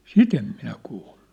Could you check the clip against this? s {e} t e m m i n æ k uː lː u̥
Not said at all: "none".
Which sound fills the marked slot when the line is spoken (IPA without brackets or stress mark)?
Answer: i